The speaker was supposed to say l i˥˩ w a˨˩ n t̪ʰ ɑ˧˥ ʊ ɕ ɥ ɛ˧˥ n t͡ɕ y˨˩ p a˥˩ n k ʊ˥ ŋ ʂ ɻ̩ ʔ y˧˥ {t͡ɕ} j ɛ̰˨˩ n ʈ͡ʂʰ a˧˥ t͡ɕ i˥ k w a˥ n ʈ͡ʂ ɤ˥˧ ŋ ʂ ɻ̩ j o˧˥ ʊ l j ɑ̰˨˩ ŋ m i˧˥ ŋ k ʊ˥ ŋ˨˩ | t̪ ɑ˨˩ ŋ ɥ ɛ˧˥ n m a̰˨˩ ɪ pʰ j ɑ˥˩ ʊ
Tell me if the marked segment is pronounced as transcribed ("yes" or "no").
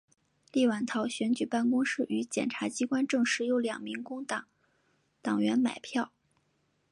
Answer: yes